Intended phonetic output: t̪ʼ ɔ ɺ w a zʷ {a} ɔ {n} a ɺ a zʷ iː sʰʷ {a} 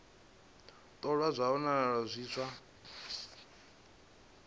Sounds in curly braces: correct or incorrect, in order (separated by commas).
correct, correct, correct